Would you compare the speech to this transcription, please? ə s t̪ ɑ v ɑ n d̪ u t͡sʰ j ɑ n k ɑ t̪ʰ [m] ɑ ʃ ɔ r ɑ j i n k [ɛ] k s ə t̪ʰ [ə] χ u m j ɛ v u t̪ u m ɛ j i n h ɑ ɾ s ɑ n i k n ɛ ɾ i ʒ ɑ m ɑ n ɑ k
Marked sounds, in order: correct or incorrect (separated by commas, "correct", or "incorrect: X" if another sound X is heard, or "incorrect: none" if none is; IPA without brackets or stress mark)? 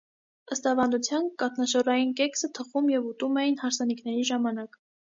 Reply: incorrect: n, correct, correct